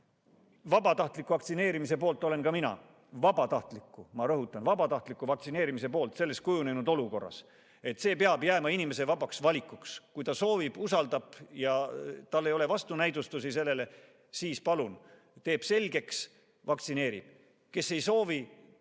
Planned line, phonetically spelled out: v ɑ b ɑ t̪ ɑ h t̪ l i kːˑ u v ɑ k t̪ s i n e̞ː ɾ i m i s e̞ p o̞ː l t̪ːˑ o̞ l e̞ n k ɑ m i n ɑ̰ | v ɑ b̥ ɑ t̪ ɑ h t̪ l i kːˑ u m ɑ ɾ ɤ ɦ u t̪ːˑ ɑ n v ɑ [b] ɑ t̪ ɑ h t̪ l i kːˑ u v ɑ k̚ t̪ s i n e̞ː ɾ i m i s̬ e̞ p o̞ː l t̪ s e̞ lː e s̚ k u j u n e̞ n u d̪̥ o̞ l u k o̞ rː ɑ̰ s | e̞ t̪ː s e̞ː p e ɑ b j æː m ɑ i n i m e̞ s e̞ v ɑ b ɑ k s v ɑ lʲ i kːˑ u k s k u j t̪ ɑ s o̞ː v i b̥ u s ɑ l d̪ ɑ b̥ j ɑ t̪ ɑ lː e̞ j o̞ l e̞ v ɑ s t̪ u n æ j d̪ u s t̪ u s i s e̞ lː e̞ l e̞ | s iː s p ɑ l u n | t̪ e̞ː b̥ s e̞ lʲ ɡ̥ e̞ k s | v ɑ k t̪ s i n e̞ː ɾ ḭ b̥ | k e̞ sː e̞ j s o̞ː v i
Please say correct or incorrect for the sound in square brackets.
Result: correct